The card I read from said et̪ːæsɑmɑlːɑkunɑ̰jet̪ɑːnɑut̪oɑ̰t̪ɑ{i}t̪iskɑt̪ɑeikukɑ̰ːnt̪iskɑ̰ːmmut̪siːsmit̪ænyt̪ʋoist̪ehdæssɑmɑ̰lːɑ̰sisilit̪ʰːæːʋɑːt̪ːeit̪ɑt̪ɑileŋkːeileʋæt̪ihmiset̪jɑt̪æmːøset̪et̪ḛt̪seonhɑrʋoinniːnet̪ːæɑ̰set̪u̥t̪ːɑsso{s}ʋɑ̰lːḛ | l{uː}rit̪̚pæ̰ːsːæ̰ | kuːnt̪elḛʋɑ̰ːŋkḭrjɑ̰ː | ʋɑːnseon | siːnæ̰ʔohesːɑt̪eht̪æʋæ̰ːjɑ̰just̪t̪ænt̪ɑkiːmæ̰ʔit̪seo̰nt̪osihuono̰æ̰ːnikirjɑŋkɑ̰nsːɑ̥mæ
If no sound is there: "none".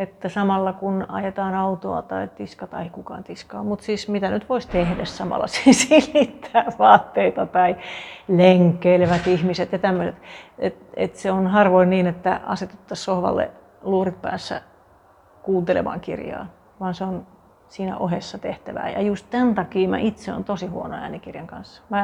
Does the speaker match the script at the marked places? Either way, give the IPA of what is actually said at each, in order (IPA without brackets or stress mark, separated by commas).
i, h, uː